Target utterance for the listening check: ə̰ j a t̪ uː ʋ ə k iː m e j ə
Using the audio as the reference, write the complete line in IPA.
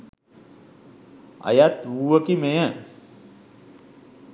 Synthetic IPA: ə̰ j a t̪ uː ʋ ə k i m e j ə